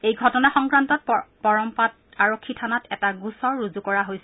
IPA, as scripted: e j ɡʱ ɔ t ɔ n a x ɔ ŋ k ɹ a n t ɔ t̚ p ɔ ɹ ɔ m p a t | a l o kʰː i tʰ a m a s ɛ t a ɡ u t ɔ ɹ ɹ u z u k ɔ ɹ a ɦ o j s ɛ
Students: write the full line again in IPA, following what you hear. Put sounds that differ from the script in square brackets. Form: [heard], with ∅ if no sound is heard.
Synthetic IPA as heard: e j ɡʱ ɔ t ɔ n a x ɔ ŋ k ɹ a n t ɔ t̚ p ɔ ɹ ɔ m p a t | a [ɹ] o kʰː i tʰ a [n] a [t] ɛ t a ɡ u [s] ɔ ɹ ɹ u z u k ɔ ɹ a ɦ o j s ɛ